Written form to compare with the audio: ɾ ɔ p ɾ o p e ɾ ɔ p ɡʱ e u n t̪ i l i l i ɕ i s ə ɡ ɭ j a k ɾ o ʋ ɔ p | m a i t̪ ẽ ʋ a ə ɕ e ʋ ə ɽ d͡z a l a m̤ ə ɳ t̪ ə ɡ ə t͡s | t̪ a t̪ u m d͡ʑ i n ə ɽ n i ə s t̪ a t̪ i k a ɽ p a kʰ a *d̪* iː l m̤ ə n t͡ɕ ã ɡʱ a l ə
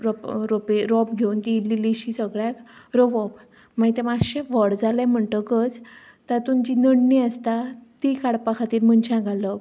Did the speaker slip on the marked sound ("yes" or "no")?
yes